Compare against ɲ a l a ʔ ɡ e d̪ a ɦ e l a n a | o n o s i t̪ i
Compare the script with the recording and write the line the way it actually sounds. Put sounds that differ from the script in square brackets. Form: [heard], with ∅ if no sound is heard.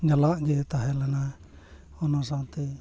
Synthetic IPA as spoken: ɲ a l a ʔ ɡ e [t̪] a ɦ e l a n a | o n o s [a] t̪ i